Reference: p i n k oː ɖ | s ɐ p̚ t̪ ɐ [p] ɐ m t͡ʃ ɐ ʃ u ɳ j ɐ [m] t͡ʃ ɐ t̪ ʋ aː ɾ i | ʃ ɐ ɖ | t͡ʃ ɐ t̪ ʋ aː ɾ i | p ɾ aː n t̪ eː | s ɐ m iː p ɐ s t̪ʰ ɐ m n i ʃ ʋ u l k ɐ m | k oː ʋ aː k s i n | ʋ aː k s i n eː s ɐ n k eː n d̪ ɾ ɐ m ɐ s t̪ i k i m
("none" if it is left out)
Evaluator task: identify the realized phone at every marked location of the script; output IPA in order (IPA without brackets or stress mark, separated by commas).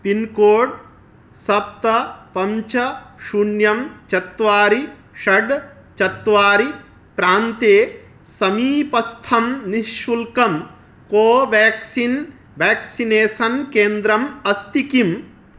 p, m